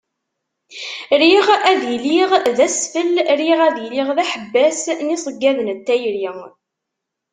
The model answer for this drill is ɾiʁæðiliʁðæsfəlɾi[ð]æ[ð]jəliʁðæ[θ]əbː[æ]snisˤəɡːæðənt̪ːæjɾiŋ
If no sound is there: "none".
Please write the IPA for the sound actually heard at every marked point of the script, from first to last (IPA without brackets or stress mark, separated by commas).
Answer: ʁ, ð, ħ, æ